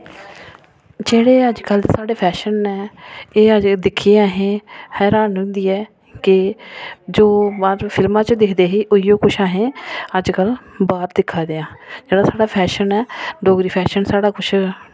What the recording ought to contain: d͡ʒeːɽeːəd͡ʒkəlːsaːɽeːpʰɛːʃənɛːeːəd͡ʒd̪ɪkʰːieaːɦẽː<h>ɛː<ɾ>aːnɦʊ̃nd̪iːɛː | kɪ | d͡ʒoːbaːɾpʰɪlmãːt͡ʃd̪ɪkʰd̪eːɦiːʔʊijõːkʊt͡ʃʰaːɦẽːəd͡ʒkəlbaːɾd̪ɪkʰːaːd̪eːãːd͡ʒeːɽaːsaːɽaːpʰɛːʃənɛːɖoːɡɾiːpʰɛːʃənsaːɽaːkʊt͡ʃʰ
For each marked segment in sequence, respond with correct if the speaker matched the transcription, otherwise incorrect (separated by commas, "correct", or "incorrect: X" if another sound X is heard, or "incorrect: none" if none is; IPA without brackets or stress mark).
correct, correct